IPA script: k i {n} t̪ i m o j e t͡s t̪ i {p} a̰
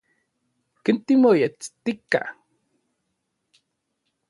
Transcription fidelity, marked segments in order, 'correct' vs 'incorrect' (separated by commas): correct, incorrect